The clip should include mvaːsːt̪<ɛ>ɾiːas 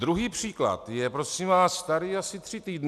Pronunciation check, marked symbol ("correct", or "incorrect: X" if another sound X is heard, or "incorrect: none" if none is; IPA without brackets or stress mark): incorrect: a